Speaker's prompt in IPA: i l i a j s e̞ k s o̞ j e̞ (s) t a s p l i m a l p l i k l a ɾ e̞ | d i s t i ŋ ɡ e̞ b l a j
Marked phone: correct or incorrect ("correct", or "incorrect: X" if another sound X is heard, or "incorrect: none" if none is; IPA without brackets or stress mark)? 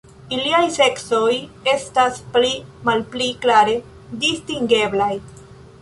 correct